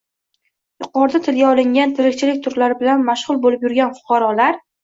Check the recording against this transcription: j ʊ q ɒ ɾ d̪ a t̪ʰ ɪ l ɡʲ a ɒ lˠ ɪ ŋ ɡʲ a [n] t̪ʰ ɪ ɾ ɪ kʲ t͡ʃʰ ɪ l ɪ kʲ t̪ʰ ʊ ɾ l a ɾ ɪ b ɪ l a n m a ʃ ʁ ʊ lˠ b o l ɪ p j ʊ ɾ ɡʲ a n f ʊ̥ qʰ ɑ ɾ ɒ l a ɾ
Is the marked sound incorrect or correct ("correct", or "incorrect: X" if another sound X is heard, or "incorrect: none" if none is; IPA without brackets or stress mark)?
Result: correct